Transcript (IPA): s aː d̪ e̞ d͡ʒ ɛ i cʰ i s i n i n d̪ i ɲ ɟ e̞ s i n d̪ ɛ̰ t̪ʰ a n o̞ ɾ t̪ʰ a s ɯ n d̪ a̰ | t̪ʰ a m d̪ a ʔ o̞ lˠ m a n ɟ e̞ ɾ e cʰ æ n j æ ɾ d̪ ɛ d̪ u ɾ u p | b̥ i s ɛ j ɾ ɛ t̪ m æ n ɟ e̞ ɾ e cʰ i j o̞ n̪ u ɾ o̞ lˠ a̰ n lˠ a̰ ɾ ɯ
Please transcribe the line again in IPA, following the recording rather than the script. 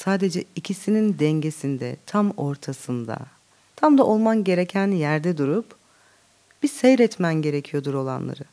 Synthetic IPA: s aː d̪ e̞ d͡ʒ ɛ i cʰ i s i n i n d̪ ɛ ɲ ɟ e̞ s i n d̪ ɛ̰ t̪ʰ a m o̞ ɾ t̪ʰ a s ɯ n d̪ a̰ | t̪ʰ a m d̪ a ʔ o̞ lˠ m a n ɟ e̞ ɾ e cʰ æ n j æ ɾ d̪ ɛ d̪ u ɾ u p | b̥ i s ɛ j ɾ ɛ t̪ m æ n ɟ e̞ ɾ e cʰ i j o̞ d̪ u ɾ o̞ lˠ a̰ n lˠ a̰ ɾ ɯ